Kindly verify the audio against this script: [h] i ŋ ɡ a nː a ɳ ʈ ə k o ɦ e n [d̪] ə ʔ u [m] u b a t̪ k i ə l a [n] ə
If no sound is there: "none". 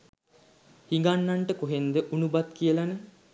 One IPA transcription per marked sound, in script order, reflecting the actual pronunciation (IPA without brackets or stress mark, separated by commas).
h, d̪, n, n